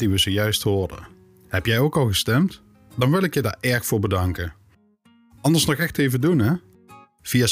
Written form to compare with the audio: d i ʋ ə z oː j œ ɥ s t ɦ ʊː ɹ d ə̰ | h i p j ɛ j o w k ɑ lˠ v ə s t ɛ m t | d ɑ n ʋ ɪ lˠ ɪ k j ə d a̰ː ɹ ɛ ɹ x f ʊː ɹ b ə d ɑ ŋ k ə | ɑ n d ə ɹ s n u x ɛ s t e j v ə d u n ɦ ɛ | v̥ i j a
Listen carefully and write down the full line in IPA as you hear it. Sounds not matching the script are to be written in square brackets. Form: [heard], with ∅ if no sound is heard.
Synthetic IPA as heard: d i ʋ ə z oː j œ ɥ s t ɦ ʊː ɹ d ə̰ | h [ɛ] p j ɛ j o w k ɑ lˠ [ɣ] ə s t ɛ m t | d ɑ n ʋ ɪ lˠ ɪ k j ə d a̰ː ɹ ɛ ɹ x f ʊː ɹ b ə d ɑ ŋ k ə | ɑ n d ə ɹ s n [ɔ] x ɛ [x] t e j v ə d u n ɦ ɛ | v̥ i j a